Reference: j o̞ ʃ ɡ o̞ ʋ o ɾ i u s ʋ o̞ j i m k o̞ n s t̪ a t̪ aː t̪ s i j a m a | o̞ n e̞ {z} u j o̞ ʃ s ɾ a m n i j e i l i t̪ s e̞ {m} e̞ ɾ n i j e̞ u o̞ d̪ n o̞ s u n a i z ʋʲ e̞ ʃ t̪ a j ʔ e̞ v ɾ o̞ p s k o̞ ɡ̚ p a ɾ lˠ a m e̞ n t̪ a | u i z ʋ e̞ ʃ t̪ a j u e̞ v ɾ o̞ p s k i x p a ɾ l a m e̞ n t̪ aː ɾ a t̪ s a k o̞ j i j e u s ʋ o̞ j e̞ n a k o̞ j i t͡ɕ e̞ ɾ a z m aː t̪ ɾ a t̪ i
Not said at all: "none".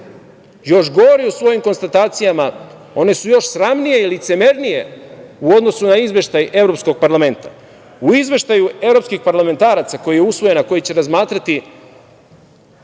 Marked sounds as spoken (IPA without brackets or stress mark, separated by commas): s, m